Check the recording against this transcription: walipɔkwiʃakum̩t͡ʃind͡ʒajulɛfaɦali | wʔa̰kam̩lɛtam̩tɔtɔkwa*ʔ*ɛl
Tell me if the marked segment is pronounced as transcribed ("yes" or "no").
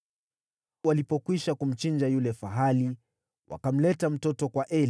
yes